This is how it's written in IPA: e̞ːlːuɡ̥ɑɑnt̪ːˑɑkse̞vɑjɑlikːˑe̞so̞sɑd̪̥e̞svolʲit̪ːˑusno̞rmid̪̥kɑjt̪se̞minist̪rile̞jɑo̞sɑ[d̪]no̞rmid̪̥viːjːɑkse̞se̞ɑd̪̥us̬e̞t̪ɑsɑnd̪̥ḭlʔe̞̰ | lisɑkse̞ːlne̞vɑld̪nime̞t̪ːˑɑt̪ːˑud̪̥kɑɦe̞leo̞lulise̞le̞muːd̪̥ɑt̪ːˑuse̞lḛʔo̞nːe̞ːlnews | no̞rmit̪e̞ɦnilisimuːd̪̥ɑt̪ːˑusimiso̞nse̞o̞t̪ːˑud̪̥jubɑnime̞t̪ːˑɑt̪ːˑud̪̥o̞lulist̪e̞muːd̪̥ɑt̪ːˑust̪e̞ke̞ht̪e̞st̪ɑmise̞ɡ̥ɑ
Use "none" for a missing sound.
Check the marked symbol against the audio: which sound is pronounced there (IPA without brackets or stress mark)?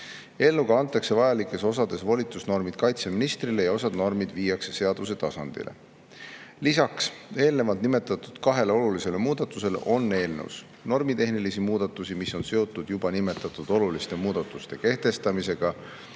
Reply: d̪